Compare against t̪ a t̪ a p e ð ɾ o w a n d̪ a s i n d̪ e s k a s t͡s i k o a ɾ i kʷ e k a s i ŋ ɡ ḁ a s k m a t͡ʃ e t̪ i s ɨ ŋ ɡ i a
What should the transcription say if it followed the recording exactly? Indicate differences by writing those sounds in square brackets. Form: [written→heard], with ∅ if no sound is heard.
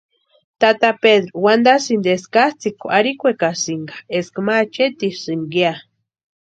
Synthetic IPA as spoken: t̪ a t̪ a p e ð ɾ o w a n d̪ a s i n d̪ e s k a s t͡s i k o a ɾ i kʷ e k a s i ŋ ɡ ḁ [a→e] s k m a t͡ʃ e t̪ i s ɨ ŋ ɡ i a